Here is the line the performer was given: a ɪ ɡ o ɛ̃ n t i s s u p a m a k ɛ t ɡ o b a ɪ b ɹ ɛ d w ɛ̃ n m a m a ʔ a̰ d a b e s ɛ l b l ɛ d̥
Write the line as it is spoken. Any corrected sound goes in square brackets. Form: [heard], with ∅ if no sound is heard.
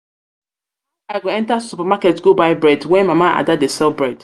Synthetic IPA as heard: a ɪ ɡ o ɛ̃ n t [a] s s u p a m a k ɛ t ɡ o b a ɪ b ɹ ɛ d w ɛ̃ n m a m a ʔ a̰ d a [d] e s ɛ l b [ɹ] ɛ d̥